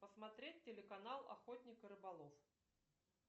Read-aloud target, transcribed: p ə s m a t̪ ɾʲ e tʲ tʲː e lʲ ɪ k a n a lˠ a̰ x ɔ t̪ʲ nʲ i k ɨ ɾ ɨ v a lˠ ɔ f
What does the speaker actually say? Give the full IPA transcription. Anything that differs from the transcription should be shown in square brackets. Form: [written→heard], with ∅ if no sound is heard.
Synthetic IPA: p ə s m a t̪ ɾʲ e tʲ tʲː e lʲ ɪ k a n a lˠ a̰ x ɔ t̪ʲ nʲ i k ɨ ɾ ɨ [v→b] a lˠ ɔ f